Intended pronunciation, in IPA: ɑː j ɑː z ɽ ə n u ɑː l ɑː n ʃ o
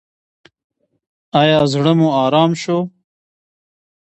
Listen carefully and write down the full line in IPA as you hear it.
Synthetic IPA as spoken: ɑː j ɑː z ɽ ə m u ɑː ɾ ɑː m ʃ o